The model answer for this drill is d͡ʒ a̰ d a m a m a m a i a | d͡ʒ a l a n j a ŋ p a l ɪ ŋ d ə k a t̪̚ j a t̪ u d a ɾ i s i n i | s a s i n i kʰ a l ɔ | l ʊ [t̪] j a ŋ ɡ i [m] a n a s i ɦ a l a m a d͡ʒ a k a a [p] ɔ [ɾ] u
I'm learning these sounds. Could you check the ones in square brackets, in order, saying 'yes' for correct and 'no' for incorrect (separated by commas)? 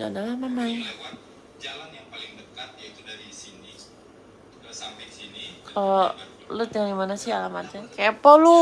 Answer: yes, yes, yes, no